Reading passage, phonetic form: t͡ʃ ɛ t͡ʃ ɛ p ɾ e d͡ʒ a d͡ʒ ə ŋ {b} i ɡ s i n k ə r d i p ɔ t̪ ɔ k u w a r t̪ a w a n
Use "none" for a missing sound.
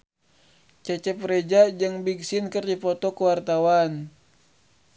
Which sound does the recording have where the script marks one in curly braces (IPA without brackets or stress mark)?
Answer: b